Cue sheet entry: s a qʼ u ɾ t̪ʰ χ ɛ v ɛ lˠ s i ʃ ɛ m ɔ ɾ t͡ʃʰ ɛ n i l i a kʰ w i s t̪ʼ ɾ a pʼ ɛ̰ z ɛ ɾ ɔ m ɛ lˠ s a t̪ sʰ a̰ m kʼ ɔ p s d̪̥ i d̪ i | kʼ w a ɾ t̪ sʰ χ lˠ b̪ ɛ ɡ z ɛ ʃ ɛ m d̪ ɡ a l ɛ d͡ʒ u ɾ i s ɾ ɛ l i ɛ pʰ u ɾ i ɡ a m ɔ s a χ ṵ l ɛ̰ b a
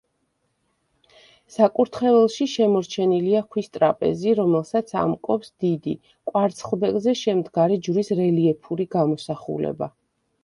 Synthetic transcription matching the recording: s a kʼ u ɾ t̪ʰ χ ɛ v ɛ lˠ ʃ i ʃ ɛ m ɔ ɾ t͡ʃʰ ɛ n i l i a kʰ w i s t̪ʼ ɾ a pʼ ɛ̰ z i ɾ ɔ m ɛ lˠ s a t̪ sʰ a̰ m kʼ ɔ p s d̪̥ i d̪ i | kʼ w a ɾ t̪ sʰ χ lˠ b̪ ɛ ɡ z ɛ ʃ ɛ m d̪ ɡ a ɾ ɛ d͡ʒ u ɾ i s ɾ ɛ l i ɛ pʰ u ɾ i ɡ a m ɔ s a χ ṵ l ɛ̰ b a